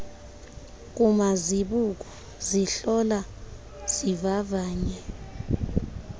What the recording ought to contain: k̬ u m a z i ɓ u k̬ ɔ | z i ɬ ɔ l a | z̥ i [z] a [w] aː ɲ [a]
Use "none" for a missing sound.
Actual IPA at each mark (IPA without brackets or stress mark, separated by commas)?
v, v, ɛ